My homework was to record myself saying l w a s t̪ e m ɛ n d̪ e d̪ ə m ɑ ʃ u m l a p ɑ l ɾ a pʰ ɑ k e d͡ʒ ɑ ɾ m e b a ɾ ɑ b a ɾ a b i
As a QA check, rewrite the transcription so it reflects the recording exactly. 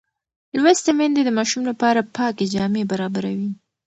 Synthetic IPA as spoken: l w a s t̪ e m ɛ n d̪ e d̪ ə m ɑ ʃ u m l a p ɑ ɾ a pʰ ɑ k e d͡ʒ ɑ m e b a ɾ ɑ b a ɾ a w i

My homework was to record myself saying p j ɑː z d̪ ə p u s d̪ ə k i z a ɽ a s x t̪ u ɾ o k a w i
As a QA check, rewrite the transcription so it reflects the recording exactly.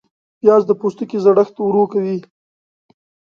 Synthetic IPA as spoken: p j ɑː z d̪ ə p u s t̪ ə k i z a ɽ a x t̪ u ɾ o k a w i

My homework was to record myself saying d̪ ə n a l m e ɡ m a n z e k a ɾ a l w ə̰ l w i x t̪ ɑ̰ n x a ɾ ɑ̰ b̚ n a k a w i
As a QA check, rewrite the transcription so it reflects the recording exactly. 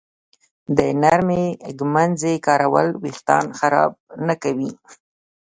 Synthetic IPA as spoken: d̪ ə n a ɾ m e ɡ m a n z e k ɑ ɾ a w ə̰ l w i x t̪ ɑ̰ n x a ɾ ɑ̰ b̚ n a k a w i

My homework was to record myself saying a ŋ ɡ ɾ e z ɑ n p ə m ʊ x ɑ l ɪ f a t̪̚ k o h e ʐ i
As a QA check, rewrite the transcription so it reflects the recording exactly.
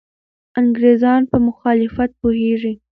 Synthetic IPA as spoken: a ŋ ɡ ɾ e z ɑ n p ə m ʊ x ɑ l ɪ f a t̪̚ p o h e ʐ i

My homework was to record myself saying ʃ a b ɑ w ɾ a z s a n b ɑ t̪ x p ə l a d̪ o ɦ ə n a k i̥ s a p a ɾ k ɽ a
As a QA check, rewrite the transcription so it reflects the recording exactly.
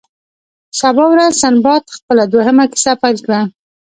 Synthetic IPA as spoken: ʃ a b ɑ w ɾ a z s a n b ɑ t̪ x p ə l a d̪ o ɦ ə m a k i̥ s a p a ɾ k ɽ a

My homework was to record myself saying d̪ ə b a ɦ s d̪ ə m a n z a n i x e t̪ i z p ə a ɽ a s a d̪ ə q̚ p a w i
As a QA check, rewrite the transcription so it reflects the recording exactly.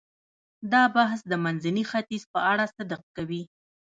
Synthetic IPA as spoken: d̪ ɑ b a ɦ s d̪ ə m a n z a n i x a t̪ i z p ə a ɽ a s a d̪ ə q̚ k a w i

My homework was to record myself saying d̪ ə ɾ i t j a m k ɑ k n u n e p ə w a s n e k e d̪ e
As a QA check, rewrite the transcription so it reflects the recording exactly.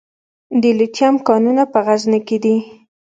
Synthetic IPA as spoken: d̪ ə l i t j a m k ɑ n u n a p ə ɣ a z n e k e d̪ i

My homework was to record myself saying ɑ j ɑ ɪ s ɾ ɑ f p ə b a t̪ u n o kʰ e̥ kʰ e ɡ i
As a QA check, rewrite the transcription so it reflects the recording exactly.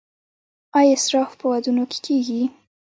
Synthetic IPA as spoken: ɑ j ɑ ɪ s ɾ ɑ f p ə w a d̪ u n o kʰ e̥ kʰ e ɡ i

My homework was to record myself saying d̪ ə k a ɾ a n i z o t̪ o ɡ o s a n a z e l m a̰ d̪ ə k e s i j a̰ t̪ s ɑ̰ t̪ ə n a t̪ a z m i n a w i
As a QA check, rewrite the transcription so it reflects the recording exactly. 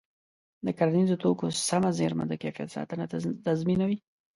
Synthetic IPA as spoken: d̪ ə k a ɾ a n i z o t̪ o k o s a m a z e ɾ m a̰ d̪ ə k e f i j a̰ t̪ s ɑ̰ t̪ ə n a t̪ a z m i n a w i

